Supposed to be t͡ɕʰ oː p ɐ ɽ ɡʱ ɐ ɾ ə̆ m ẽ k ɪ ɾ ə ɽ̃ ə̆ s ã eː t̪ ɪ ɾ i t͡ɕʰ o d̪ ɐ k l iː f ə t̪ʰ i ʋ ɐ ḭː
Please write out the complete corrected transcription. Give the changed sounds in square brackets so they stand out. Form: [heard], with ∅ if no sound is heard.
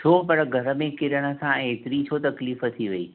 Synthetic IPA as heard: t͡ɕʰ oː p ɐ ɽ ɡʱ ɐ ɾ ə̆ m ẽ k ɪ ɾ ə ɽ̃ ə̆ s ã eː t̪ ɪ ɾ i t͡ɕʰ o [t̪] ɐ k l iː f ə t̪ʰ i ʋ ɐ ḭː